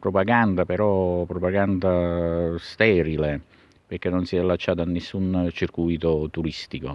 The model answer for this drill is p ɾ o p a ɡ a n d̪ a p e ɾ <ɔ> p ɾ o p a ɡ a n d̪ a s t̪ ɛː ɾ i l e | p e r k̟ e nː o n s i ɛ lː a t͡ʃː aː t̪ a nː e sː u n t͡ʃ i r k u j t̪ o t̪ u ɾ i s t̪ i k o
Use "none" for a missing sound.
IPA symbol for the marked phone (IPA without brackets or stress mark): ɔ